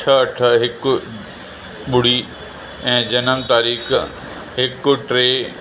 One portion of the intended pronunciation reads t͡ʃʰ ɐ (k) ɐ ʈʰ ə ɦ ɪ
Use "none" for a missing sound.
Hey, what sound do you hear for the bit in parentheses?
none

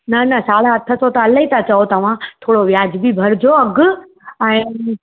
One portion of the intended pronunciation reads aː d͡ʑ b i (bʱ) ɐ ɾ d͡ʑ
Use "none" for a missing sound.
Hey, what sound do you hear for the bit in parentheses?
bʱ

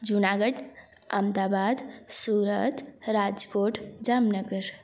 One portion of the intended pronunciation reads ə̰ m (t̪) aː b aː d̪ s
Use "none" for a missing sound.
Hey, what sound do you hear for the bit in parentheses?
d̪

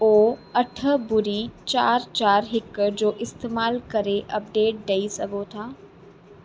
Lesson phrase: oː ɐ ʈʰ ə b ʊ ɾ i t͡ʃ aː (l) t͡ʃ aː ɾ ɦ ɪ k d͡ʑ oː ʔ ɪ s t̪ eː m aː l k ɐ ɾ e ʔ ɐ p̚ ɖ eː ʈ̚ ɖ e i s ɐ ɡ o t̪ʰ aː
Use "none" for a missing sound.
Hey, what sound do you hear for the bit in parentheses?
ɾ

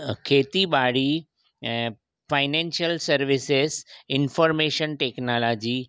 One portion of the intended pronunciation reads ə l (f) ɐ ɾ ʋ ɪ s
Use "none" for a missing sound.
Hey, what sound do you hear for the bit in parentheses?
s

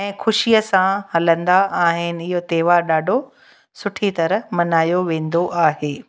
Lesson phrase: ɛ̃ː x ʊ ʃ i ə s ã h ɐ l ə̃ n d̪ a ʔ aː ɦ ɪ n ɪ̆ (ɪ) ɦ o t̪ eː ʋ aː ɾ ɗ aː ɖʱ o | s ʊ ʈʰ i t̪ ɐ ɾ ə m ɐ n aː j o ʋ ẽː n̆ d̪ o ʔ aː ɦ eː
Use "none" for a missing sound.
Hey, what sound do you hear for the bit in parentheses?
ɪ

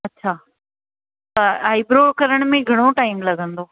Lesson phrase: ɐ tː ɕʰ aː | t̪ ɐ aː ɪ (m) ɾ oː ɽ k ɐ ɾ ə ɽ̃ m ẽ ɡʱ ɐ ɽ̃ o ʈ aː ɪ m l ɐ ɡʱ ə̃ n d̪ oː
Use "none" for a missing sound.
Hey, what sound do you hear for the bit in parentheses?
b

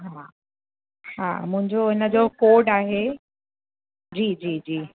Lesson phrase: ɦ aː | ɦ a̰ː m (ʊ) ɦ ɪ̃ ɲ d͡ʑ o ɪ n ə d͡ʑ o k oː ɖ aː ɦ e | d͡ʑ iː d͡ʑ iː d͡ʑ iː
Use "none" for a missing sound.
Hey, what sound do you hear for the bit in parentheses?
ʊ̃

